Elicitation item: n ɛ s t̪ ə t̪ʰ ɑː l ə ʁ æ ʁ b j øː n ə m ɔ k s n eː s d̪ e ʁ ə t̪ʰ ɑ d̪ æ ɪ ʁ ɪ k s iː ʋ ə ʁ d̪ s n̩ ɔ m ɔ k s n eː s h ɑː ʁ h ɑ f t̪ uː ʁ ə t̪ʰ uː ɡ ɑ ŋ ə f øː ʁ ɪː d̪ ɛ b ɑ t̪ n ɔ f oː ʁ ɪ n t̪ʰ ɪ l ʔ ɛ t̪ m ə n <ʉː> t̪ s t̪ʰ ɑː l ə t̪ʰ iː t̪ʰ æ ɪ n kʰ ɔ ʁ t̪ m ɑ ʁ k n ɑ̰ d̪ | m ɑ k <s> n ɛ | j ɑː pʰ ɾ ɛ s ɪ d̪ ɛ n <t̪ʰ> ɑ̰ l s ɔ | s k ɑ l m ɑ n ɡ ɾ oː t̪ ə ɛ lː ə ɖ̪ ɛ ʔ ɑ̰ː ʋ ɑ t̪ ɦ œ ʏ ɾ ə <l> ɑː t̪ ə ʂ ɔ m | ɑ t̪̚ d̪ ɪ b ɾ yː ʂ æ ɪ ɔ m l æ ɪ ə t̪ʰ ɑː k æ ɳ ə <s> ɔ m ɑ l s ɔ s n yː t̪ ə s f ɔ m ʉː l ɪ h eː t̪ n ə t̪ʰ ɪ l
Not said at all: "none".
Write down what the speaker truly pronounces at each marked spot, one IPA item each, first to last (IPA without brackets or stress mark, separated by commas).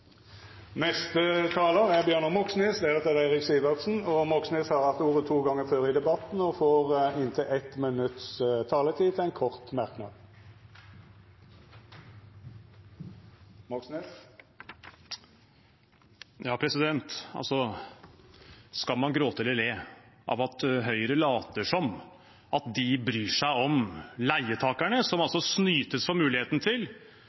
ʉ, s, t̪, l, s